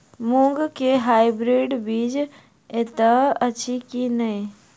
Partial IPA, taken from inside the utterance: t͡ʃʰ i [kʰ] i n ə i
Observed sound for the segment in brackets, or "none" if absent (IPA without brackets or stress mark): k